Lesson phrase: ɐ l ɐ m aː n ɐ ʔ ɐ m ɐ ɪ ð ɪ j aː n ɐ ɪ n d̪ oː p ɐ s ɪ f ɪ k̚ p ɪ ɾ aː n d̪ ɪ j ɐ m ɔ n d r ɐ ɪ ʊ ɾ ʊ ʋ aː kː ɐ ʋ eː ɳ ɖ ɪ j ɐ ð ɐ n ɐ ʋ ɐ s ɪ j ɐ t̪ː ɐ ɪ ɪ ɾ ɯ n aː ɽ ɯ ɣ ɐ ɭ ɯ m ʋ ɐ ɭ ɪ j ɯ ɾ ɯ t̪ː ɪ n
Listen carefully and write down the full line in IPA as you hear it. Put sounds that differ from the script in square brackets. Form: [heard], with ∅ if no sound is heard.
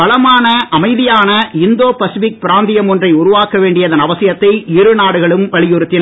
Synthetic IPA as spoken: ɐ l ɐ m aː n ɐ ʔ ɐ m ɐ ɪ ð ɪ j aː n ɐ ɪ n d̪ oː p ɐ s ɪ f ɪ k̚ p ɪ ɾ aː n d̪ ɪ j ɐ m ɔ n d r ɐ ɪ ʊ ɾ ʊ ʋ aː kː ɐ ʋ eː ɳ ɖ ɪ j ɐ ð ɐ n ɐ ʋ ɐ s ɪ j ɐ t̪ː ɐ ɪ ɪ ɾ ɯ n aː ɽ ɯ ɣ ɐ ɭ ɯ m ʋ ɐ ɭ ɪ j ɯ ɾ ɯ t̪ː ɪ n